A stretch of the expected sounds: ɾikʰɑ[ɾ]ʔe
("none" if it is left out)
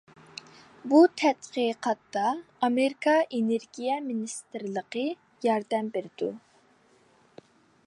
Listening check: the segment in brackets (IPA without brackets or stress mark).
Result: none